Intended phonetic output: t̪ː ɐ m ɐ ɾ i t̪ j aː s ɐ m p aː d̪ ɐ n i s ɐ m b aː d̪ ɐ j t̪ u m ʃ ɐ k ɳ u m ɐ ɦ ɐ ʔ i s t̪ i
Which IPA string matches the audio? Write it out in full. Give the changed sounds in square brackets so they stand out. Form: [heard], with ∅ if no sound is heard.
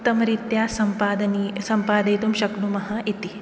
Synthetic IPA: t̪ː ɐ m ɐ ɾ i t̪ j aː s ɐ m p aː d̪ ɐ n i s ɐ m [p] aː d̪ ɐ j t̪ u m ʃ ɐ k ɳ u m ɐ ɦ ɐ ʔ i [∅] t̪ i